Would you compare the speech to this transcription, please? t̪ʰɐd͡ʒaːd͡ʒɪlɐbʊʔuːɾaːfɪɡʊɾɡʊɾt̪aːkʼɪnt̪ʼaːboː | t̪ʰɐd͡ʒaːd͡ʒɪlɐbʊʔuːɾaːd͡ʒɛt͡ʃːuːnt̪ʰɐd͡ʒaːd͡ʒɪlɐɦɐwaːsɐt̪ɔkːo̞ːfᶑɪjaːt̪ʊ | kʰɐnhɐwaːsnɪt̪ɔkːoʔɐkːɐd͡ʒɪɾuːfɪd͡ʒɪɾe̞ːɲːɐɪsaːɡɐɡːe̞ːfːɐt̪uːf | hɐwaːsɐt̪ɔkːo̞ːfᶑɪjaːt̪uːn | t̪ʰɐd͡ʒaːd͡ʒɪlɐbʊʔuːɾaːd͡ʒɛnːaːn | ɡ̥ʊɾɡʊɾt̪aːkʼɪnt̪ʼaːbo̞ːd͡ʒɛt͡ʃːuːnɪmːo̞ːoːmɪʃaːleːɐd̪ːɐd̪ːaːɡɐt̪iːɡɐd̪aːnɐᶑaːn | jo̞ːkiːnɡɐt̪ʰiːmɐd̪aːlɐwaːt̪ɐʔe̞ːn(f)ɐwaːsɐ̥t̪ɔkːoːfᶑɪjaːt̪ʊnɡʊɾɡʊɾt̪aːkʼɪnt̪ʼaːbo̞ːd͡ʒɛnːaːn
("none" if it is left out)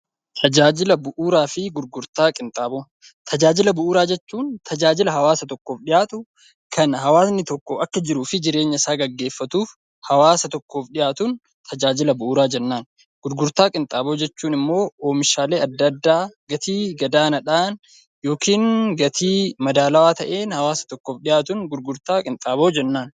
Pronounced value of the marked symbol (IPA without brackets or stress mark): h